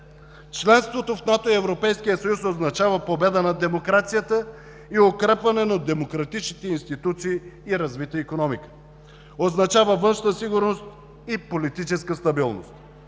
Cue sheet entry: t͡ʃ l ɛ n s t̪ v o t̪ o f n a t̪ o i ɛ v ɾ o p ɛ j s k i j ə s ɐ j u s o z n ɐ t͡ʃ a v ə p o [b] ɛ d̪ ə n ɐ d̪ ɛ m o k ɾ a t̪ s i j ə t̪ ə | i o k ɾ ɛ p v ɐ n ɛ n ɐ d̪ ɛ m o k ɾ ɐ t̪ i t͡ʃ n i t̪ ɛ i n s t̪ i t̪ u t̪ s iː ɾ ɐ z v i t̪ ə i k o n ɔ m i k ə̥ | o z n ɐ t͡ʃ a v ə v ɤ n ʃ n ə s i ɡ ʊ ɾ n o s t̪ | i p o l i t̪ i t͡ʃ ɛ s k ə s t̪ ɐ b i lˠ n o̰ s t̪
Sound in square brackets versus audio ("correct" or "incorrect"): correct